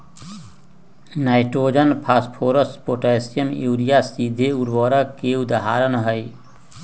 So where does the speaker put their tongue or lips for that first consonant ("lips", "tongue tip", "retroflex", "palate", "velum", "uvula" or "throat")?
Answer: tongue tip